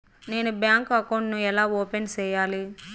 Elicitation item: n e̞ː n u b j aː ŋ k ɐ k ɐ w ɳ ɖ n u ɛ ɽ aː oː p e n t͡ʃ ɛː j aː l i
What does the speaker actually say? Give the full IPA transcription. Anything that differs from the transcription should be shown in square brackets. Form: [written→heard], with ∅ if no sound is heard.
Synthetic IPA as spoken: n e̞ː n u b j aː ŋ k ɐ k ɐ w ɳ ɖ n u ɛ [ɽ→l] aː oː p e n t͡ʃ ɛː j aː l i